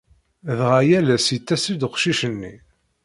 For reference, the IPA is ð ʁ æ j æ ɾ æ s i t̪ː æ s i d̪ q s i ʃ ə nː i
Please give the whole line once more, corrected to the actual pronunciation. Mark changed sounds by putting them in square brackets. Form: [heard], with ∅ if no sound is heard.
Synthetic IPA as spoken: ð ʁ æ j æ [l] æ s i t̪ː æ s i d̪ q [ʃ] i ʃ ə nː i

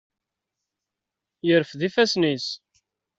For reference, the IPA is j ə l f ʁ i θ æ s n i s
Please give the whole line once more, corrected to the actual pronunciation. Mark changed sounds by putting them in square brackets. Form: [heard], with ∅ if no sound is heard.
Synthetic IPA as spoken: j ə [ɾ] f [ð] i [f] æ s n i s

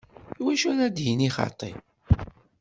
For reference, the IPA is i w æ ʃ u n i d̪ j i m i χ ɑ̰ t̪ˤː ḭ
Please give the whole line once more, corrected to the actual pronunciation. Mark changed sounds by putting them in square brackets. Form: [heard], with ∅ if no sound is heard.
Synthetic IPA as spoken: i w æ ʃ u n [æ] d̪ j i [n] i χ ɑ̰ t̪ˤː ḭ

